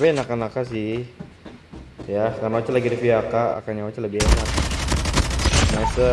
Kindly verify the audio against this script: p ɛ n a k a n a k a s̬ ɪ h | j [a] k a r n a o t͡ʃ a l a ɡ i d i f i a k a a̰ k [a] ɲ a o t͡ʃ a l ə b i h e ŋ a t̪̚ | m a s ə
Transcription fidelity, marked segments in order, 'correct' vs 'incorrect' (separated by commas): correct, correct